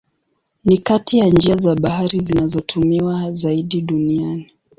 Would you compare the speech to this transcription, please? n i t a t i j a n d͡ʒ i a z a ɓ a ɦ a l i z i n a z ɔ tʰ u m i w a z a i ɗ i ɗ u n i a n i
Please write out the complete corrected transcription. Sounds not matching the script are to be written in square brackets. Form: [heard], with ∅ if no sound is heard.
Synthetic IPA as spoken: n i [k] a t i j a n d͡ʒ i a z a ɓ a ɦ a [ɾ] i z i n a z ɔ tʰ u m i w a z a i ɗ i ɗ u n i a n i